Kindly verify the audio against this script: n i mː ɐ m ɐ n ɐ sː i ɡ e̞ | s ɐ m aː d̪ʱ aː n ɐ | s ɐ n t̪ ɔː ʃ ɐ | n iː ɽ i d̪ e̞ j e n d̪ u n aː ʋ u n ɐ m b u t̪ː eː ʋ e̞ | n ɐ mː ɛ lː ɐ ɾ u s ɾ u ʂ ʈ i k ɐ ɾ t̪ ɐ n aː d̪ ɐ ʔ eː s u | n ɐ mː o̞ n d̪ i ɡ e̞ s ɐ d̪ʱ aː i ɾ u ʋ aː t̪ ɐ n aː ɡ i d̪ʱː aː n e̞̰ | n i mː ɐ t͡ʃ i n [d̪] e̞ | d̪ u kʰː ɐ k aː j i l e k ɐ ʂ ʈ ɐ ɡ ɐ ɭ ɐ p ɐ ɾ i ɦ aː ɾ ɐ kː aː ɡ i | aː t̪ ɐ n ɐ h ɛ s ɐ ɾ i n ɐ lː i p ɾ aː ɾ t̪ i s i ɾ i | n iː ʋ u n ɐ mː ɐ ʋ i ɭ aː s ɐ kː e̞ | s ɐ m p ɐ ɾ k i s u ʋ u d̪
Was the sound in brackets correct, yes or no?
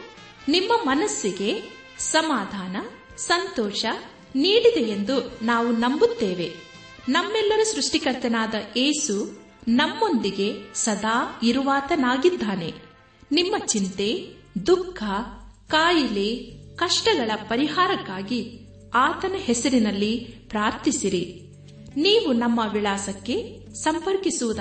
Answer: no